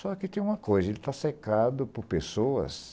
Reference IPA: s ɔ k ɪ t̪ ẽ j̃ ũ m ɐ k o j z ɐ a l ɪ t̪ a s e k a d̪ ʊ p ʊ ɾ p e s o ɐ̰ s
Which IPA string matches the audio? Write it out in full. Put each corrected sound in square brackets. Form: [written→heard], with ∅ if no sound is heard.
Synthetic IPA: s ɔ k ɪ t̪ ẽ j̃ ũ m ɐ k o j z ɐ [a→e] l ɪ t̪ a s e k a d̪ ʊ p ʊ ɾ p e s o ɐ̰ s